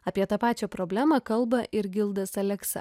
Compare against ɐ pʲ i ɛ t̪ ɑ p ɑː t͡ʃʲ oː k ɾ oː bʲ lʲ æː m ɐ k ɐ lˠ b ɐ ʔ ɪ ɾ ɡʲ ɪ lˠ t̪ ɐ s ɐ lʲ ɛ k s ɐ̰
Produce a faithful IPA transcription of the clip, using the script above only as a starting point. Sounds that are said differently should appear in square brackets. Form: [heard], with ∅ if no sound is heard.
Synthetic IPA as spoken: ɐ pʲ i ɛ t̪ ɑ p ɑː t͡ʃʲ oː [p] ɾ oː bʲ lʲ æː m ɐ k ɐ lˠ b ɐ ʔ ɪ ɾ ɡʲ ɪ lˠ [d̪] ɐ s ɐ lʲ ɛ k s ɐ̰